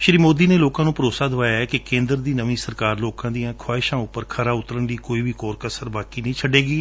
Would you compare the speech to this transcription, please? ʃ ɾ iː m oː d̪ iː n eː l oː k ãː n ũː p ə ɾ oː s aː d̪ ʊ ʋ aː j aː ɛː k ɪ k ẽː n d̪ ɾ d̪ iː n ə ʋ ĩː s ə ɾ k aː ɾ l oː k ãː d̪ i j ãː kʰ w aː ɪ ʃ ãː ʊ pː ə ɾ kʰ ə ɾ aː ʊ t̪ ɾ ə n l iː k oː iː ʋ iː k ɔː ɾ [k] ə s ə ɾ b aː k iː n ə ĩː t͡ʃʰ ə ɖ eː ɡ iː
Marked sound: correct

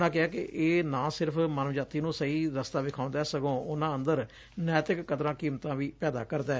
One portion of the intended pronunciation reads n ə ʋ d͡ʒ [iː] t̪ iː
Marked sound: incorrect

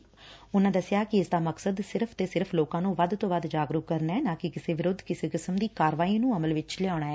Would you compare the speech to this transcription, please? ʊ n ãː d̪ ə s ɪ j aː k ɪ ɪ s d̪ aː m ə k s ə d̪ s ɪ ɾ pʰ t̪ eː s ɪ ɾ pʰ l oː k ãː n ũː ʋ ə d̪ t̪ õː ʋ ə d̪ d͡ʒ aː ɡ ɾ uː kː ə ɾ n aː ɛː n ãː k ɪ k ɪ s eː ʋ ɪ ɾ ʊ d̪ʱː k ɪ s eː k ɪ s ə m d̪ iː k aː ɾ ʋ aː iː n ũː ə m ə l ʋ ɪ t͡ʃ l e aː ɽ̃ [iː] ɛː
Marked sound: incorrect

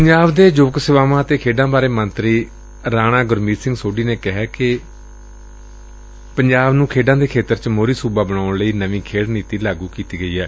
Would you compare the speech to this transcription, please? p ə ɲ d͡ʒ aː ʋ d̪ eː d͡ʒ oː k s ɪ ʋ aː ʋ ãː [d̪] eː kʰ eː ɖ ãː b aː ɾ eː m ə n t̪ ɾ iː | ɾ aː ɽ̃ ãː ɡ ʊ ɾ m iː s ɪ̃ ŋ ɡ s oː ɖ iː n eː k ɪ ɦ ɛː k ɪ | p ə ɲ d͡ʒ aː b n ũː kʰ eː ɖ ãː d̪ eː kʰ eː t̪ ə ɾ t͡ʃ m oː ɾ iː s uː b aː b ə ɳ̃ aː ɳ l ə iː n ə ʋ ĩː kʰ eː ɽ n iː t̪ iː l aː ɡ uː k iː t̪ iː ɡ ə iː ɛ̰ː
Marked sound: incorrect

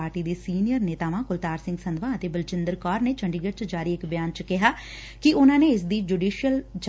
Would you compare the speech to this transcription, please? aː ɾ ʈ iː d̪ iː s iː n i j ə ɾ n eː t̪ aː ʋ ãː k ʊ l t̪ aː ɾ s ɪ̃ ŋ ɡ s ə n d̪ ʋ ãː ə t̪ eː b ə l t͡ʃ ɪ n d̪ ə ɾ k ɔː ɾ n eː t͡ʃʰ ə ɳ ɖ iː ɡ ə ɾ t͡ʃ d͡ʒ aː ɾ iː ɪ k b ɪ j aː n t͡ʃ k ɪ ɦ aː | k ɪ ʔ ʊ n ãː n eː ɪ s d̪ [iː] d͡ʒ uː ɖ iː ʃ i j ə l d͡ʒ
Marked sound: correct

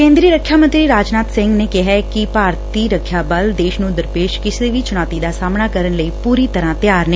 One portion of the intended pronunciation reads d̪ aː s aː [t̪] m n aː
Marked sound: incorrect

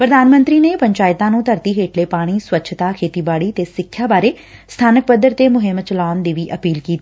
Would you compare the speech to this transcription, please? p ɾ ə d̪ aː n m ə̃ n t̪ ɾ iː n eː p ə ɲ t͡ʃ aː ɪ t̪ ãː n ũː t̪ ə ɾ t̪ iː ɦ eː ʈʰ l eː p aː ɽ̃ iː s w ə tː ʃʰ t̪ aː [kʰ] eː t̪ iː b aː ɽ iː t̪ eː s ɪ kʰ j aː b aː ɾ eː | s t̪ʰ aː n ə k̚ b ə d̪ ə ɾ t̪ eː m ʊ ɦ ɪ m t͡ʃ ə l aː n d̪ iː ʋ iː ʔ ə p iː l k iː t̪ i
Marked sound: correct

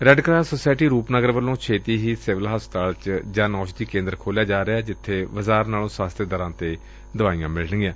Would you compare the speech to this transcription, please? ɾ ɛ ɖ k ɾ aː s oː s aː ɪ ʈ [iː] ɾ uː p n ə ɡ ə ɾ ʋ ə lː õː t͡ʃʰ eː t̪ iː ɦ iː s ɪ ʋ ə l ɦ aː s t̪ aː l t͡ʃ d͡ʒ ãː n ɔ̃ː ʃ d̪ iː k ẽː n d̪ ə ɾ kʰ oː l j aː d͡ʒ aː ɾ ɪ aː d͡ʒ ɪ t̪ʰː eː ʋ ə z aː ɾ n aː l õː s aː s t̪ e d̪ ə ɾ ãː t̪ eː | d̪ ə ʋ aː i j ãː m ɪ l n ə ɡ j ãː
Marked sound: correct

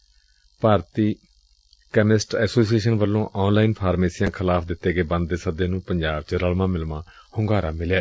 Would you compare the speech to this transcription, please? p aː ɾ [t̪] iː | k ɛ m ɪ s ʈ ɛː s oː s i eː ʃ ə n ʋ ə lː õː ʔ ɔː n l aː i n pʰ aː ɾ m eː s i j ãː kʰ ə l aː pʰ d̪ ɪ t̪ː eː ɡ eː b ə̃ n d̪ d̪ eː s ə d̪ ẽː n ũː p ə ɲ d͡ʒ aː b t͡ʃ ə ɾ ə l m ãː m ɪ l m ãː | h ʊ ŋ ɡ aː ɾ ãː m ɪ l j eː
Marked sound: correct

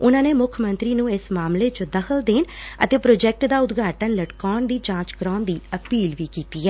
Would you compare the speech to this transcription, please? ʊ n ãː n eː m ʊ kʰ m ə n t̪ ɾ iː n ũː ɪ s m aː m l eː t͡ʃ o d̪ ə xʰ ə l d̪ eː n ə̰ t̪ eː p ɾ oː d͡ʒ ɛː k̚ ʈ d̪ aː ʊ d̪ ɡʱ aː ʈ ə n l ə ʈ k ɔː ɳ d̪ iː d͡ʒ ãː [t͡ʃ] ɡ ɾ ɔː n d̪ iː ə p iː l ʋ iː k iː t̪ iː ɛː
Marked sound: correct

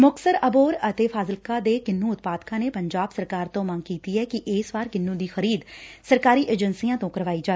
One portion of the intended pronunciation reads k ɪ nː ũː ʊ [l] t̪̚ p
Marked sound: incorrect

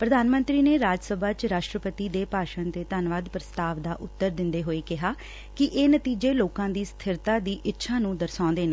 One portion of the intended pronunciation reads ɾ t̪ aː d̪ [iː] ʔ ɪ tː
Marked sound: correct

